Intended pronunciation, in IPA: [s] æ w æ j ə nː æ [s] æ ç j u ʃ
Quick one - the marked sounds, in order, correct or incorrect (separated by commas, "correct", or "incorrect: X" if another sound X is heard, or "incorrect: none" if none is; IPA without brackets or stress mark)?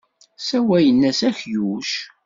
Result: correct, correct